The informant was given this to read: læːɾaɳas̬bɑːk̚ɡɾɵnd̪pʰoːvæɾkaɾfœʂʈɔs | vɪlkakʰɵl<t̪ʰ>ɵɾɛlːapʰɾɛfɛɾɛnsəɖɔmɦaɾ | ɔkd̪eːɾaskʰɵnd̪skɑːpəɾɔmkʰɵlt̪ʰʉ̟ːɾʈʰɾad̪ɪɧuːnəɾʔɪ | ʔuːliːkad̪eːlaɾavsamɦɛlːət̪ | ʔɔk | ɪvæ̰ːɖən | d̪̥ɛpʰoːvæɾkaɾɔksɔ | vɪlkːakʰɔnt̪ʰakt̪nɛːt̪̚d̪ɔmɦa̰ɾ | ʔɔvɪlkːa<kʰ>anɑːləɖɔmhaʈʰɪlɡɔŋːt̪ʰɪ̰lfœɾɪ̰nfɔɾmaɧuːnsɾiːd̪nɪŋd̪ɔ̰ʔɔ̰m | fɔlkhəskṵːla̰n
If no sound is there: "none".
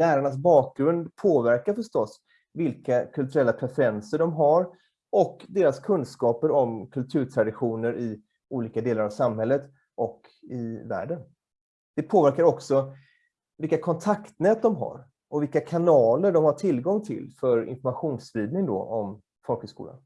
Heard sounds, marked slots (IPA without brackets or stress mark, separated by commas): t̪, kʰ